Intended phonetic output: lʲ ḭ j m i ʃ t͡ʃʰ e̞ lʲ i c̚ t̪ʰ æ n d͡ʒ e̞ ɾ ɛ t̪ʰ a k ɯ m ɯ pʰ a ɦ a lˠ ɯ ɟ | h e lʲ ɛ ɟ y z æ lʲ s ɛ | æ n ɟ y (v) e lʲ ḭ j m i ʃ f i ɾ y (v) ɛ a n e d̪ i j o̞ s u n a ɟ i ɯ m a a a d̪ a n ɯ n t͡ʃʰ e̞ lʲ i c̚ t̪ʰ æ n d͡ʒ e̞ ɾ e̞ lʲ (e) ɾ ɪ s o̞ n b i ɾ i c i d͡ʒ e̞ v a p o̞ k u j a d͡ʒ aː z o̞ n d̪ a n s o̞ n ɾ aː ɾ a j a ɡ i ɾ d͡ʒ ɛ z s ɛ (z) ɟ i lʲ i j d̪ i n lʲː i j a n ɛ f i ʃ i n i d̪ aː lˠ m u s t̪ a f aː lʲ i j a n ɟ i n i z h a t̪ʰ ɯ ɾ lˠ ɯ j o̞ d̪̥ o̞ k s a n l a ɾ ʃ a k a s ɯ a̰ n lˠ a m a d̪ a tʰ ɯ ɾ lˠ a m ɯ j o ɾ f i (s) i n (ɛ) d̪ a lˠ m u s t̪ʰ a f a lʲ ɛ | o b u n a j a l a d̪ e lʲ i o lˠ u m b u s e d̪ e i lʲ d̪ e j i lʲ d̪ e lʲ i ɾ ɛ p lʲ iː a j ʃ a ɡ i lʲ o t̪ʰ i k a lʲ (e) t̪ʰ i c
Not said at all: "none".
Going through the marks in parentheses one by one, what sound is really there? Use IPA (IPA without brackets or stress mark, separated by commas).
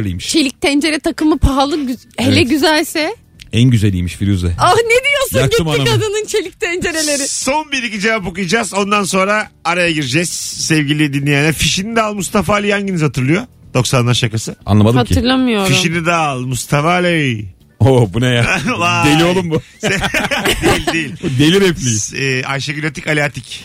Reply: z, z, e, v, ʃ, i, a